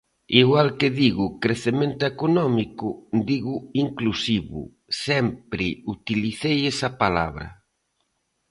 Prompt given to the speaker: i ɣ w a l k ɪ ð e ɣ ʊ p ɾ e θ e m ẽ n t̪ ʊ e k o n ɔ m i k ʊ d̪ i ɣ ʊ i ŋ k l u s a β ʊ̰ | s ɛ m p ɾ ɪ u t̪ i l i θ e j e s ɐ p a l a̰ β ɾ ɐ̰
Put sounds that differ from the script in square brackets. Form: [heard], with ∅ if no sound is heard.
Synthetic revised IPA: i ɣ w a l k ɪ ð [i] ɣ ʊ [k] ɾ e θ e m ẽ n t̪ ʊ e k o n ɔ m i k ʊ d̪ i ɣ ʊ i ŋ k l u s [i] β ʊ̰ | s ɛ m p ɾ ɪ u t̪ i l i θ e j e s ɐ p a l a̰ β ɾ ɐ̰